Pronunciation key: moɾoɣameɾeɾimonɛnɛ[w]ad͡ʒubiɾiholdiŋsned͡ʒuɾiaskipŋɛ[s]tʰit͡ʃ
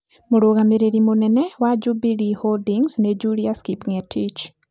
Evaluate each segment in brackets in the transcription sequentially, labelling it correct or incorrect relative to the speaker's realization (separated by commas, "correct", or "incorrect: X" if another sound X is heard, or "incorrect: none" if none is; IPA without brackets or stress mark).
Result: correct, incorrect: none